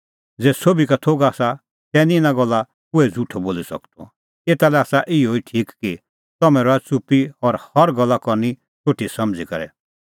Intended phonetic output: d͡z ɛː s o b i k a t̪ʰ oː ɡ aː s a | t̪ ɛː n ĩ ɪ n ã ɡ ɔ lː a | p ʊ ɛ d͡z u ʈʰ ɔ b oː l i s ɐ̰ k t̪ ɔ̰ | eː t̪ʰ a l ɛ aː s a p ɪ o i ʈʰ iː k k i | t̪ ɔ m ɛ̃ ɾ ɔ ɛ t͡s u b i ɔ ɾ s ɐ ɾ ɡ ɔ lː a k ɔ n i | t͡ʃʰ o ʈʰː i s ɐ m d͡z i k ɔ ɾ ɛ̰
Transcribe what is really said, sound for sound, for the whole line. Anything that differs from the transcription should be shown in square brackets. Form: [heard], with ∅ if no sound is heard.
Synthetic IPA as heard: d͡z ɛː s o b i k a t̪ʰ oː ɡ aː s a | t̪ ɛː n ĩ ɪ n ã ɡ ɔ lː a | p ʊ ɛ d͡z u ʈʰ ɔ b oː l i s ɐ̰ k t̪ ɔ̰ | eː [t̪] a l ɛ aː s a [ʔ] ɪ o i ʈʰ iː k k i | t̪ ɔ m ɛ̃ ɾ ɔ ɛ t͡s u [p] i ɔ ɾ [h] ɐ ɾ ɡ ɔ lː a k ɔ n i | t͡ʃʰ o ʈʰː i s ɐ m d͡z i k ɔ ɾ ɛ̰